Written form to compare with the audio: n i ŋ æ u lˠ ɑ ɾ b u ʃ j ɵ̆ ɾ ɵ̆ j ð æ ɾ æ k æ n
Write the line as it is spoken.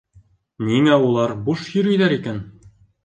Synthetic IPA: n i ŋ æ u lˠ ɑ ɾ b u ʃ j ɵ̆ ɾ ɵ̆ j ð æ ɾ i k æ n